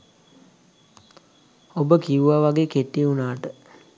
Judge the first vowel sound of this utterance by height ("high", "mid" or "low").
mid